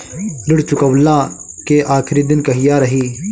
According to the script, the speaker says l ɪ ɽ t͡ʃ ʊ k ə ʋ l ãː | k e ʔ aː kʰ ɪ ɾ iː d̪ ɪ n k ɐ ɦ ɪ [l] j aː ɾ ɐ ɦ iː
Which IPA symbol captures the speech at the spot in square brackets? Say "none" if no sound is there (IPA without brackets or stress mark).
none